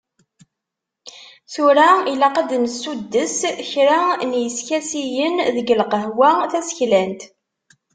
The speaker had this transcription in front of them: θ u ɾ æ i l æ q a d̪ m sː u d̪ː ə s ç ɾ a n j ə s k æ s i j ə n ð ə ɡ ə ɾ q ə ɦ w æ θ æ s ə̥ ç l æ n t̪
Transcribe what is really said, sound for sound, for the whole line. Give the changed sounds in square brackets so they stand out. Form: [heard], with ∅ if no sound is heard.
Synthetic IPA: θ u ɾ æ i l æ q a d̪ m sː u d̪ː ə s ç ɾ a n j ə s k æ s i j ə n ð ə ɡ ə [l] q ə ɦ w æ θ æ s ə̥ ç l æ n t̪